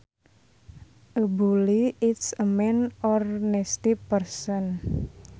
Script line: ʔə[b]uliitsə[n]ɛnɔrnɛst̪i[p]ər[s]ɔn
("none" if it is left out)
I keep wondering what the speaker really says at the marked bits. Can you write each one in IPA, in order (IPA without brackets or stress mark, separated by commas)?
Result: b, m, p, s